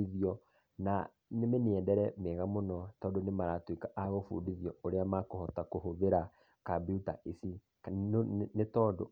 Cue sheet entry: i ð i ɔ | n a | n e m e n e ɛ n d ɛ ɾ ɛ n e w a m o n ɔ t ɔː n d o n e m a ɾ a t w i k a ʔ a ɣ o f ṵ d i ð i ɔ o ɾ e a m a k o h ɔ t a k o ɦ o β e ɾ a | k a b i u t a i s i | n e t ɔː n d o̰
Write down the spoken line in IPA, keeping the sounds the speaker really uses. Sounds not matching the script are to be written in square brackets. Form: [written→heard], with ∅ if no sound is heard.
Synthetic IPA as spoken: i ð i ɔ | n a | n e m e n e ɛ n d ɛ ɾ ɛ [n→m] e [w→ɣ] a m o n ɔ t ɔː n d o n e m a ɾ a t w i k a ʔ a ɣ o f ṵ d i ð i ɔ o ɾ e a m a k o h ɔ t a k o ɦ o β e ɾ a | k a b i u t a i s i | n e t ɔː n d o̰